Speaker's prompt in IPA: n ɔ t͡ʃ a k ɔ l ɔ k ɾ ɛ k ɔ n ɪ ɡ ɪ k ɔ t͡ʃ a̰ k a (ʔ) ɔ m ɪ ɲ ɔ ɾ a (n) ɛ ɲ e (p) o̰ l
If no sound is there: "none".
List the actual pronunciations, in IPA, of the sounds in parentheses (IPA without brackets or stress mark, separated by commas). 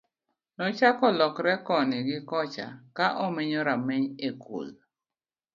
ʔ, m, k